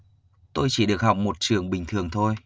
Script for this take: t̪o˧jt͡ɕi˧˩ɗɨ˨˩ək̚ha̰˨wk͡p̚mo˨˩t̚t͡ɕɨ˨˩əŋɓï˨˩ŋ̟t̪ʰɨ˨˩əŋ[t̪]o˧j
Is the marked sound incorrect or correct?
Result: incorrect